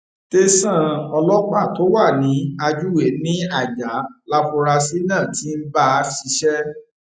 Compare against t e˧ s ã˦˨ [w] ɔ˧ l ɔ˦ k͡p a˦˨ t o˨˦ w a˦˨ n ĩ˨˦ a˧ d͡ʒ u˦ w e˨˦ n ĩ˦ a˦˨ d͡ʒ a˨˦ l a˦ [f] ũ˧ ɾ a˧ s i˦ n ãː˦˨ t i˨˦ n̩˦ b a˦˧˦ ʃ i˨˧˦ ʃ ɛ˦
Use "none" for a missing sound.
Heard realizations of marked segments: none, f

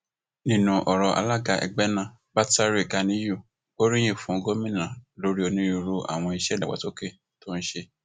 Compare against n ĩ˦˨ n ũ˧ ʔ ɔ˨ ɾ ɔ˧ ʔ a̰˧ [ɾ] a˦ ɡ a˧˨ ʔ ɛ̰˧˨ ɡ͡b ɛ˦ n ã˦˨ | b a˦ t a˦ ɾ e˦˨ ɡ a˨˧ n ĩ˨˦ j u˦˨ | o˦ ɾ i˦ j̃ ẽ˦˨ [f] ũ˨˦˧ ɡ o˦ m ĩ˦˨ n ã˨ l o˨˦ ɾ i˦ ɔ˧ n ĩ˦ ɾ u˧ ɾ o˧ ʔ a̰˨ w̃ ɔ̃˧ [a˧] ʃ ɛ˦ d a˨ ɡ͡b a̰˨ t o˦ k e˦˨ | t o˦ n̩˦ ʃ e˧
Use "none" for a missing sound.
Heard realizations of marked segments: l, f, i˧

